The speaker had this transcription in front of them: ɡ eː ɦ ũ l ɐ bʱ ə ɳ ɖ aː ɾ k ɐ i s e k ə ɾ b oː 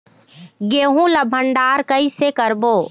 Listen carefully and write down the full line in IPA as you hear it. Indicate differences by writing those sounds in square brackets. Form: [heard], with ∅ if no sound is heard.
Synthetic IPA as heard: ɡ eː ɦ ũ l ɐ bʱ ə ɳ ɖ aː ɾ k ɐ i s e k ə ɾ b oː